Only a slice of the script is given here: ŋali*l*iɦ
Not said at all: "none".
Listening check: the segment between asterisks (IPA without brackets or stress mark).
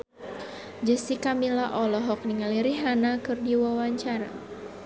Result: ɾ